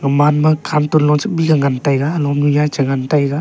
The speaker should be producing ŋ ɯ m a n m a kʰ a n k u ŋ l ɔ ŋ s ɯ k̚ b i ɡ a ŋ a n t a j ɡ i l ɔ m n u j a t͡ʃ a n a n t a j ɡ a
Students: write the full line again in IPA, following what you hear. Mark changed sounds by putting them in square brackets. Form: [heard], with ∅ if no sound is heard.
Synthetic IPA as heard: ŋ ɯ m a n m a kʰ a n [t] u [n] l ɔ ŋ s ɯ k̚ b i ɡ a ŋ a n t a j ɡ [a] l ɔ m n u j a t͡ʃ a [ŋ] a n t a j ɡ a